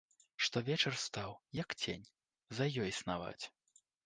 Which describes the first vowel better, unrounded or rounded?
rounded